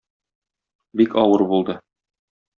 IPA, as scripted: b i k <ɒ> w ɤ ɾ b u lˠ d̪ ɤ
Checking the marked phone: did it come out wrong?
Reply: no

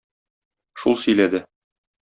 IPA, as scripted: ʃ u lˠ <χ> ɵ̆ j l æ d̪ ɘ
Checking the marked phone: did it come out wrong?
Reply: yes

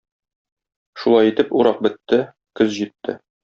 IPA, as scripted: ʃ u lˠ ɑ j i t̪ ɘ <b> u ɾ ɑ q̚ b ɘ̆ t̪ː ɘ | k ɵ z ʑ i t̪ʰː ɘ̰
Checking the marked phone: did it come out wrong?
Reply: yes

